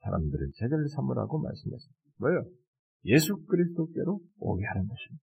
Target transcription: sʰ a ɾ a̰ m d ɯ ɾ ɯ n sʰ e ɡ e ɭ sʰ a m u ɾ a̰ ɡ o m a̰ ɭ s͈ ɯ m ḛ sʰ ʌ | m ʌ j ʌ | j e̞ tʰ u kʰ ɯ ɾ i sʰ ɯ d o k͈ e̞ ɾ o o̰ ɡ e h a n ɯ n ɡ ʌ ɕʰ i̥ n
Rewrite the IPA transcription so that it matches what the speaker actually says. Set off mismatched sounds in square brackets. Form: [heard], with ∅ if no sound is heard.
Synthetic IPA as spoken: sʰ a ɾ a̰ m d ɯ ɾ ɯ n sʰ e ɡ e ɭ sʰ a m u ɾ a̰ ɡ o m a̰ ɭ s͈ ɯ m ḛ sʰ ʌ | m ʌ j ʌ | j e̞ [sʰ] u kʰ ɯ ɾ i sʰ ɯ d o k͈ e̞ ɾ o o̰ ɡ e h a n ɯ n ɡ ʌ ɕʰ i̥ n